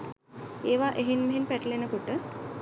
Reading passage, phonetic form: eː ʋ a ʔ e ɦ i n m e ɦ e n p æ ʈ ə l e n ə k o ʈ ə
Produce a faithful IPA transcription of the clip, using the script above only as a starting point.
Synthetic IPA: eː ʋ a ʔ e ɦ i n m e ɦ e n p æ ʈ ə l e n ə k o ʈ ə